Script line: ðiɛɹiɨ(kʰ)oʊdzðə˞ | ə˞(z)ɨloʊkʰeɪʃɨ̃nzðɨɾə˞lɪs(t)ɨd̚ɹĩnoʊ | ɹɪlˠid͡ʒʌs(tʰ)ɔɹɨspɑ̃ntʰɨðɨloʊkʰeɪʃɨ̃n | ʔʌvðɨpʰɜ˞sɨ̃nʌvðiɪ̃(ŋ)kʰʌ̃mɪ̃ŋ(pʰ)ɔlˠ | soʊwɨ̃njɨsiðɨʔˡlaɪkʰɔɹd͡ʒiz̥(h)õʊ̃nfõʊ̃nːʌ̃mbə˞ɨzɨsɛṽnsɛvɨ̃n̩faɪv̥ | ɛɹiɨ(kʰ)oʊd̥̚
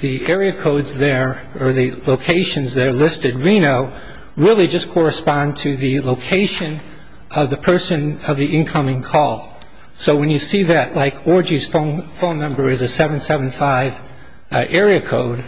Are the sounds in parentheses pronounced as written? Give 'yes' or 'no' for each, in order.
yes, no, yes, no, no, no, no, yes

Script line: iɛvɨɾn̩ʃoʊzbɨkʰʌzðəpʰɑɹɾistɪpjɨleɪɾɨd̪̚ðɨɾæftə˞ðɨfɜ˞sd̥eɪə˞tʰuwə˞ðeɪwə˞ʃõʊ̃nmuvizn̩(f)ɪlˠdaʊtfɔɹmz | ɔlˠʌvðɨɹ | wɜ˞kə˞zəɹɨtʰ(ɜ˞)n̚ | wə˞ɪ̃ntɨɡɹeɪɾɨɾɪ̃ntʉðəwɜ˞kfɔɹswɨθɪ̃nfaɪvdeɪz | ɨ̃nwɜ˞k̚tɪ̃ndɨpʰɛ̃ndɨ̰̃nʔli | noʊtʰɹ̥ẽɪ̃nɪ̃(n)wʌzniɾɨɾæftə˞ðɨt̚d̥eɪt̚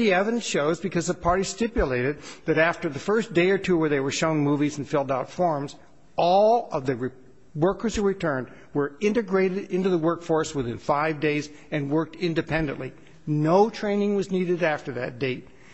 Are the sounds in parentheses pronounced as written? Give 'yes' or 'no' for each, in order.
yes, no, no

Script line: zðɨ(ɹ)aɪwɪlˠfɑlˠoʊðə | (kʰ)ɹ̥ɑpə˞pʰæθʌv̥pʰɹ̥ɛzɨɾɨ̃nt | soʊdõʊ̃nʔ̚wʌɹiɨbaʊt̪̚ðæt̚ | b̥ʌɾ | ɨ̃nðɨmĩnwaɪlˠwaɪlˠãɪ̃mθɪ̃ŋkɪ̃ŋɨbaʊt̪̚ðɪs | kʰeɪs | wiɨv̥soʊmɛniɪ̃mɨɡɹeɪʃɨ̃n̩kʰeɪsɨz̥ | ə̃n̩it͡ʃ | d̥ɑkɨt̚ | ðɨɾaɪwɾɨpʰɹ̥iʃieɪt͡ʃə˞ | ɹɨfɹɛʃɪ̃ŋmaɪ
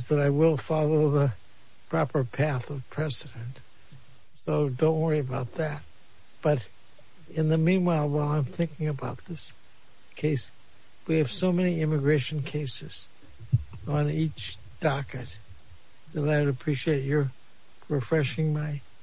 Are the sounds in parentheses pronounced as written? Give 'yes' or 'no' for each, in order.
no, no

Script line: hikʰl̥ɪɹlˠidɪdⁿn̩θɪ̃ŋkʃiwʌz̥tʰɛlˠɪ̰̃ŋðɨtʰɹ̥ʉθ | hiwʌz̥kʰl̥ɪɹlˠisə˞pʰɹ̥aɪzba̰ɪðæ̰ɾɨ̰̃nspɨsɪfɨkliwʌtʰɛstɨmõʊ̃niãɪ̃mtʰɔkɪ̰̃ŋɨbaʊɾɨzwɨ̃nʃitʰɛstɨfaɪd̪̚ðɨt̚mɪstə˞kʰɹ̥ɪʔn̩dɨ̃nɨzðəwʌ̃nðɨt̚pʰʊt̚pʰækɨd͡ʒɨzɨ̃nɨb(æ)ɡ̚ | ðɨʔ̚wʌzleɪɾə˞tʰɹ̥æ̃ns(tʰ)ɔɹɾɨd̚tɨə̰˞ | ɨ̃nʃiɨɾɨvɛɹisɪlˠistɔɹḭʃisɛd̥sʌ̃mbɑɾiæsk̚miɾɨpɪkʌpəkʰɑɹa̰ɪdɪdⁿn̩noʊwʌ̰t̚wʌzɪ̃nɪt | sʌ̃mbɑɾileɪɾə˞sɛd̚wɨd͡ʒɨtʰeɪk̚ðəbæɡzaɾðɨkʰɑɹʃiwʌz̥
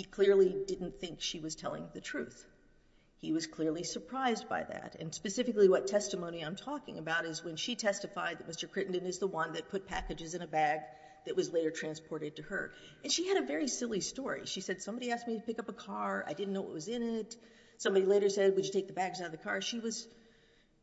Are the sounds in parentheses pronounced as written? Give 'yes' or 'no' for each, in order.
yes, no

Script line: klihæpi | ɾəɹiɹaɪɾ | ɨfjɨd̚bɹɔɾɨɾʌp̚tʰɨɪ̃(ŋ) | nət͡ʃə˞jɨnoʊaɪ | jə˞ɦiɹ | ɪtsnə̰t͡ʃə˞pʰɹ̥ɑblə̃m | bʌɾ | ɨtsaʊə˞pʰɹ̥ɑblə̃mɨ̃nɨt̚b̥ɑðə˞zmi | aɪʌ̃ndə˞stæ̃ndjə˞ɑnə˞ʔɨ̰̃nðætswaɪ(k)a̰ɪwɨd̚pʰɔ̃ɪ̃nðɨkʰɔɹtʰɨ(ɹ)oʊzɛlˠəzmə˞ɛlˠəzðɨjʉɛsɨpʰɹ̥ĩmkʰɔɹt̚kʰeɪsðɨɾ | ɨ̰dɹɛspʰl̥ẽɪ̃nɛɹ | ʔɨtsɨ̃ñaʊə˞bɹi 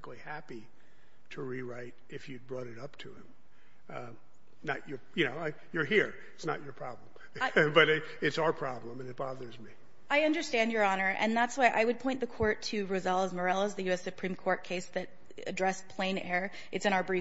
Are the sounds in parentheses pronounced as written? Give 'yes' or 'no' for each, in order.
no, no, yes

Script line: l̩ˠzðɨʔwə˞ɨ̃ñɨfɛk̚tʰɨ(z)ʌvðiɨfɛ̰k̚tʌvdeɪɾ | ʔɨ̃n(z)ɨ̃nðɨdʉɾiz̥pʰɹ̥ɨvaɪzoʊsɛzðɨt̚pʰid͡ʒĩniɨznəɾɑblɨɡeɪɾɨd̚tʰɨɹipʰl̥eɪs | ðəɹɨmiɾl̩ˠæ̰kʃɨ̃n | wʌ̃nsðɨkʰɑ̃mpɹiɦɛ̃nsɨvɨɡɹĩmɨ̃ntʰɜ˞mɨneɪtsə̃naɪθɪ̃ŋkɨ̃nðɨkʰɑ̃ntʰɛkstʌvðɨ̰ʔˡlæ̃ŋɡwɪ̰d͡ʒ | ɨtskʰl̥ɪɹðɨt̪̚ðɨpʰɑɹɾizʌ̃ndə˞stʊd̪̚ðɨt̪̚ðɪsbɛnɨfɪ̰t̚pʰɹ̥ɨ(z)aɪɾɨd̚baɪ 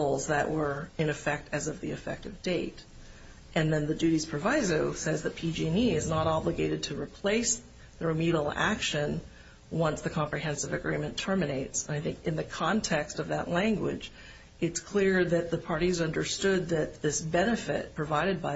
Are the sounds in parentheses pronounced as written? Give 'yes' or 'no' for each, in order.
yes, no, no

